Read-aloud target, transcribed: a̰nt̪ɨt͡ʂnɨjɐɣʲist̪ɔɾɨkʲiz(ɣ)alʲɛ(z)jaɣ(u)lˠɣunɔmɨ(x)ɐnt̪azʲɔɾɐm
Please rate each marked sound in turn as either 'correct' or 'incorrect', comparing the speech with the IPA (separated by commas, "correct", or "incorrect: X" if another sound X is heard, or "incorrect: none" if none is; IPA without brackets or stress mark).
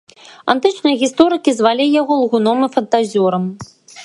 incorrect: v, incorrect: none, incorrect: ɔ, incorrect: f